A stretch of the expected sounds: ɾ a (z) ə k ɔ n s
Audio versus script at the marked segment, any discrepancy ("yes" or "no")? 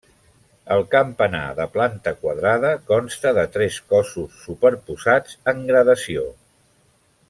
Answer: yes